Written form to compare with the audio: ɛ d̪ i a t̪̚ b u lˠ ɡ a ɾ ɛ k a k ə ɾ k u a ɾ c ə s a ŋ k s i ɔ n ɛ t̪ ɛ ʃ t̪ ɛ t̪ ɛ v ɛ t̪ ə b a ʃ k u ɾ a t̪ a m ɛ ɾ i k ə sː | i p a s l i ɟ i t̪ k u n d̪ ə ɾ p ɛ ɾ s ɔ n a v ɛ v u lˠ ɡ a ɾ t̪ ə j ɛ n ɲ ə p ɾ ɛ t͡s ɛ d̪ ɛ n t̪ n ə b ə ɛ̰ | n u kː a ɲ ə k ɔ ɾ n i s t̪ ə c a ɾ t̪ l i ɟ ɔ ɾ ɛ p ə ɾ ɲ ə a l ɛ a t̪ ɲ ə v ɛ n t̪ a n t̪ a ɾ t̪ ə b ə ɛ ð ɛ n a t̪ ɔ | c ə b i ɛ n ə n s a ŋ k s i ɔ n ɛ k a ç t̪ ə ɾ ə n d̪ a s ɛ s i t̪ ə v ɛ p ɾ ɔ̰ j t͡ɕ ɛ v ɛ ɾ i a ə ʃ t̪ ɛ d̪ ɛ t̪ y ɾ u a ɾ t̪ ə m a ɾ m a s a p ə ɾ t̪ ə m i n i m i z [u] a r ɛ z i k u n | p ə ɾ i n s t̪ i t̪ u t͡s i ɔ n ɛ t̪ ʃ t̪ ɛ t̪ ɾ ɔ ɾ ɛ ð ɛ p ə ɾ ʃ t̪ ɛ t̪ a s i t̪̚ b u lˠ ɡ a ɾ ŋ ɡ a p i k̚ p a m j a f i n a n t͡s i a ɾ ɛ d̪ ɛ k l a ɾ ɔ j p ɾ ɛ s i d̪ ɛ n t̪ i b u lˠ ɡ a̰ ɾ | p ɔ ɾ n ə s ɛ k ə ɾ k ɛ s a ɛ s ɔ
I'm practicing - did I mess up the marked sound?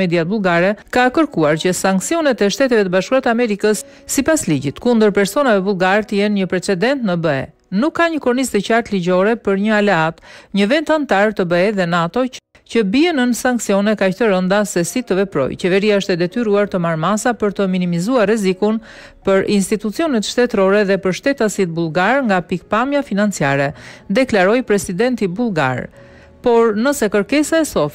no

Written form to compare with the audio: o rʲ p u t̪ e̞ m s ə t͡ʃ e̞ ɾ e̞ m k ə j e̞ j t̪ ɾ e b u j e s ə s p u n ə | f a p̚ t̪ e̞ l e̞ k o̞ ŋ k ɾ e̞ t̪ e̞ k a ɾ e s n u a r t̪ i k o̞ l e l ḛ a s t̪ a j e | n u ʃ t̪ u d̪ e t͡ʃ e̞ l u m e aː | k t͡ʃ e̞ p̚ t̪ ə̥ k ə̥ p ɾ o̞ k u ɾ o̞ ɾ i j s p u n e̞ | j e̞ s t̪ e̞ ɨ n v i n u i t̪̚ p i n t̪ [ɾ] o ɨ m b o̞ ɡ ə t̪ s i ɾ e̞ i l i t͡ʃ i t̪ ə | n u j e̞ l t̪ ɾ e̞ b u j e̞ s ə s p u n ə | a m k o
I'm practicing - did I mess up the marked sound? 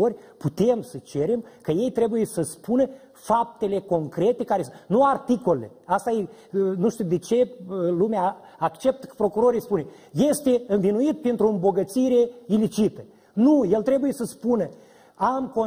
no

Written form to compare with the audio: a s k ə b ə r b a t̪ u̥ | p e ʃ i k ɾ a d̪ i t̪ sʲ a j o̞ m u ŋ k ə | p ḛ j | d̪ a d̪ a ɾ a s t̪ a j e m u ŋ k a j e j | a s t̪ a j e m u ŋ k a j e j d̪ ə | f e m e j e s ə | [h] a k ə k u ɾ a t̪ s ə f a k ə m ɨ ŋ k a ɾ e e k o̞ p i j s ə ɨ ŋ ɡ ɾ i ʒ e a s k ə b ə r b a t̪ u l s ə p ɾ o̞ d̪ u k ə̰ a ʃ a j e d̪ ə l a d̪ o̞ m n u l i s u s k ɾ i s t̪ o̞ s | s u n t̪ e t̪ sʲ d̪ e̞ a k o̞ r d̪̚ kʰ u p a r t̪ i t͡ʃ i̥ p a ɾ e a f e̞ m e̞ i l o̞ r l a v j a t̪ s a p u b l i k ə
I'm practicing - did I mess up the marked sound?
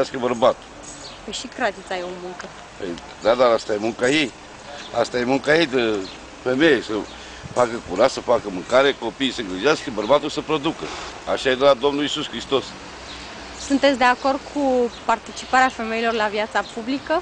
yes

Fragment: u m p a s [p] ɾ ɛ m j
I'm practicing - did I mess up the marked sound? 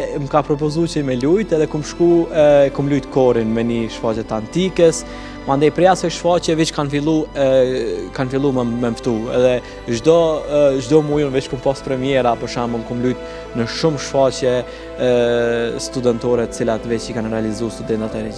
no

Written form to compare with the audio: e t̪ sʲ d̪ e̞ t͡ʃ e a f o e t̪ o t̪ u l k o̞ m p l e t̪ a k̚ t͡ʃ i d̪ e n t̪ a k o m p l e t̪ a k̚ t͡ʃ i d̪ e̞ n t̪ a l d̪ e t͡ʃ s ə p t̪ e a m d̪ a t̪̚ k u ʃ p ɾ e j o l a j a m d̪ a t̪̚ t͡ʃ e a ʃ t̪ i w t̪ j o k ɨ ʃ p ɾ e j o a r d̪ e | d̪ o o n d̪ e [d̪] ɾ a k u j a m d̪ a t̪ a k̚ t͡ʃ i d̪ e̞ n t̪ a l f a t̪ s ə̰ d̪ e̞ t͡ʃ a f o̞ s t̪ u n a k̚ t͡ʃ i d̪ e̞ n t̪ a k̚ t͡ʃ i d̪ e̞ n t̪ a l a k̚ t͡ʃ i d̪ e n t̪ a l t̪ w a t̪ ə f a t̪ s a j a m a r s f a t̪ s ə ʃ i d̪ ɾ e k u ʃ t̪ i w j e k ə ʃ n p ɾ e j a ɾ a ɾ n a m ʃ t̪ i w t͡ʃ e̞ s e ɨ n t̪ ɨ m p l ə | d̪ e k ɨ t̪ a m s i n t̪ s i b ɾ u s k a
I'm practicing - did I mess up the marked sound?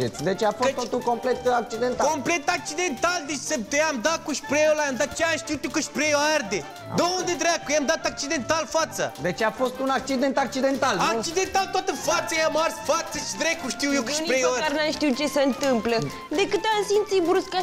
no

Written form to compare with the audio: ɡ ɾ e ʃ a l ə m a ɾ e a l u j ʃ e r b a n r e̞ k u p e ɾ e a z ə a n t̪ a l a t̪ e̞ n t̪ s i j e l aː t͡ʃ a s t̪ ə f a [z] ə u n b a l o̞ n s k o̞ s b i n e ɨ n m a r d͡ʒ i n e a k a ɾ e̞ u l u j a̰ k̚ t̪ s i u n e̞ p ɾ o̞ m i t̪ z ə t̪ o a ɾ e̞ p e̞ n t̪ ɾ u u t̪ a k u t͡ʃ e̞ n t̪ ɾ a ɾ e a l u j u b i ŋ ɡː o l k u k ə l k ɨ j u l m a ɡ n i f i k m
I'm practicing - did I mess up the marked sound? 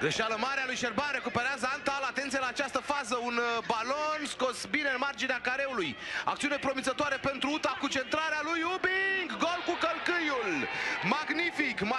no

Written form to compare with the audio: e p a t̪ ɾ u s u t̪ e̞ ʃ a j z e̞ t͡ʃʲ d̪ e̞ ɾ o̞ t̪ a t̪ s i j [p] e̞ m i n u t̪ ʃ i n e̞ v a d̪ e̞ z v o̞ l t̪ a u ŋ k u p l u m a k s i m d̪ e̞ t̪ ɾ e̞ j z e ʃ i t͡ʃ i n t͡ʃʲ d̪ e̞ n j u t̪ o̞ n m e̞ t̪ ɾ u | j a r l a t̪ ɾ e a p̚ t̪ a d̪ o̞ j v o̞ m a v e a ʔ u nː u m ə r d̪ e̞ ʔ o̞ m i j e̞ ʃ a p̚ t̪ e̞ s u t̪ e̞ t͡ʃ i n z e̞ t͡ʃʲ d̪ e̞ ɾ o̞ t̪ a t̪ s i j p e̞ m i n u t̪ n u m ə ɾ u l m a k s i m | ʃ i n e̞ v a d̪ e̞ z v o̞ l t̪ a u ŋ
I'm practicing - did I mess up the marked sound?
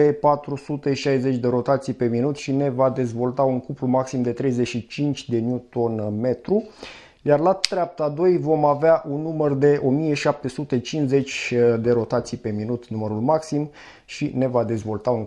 no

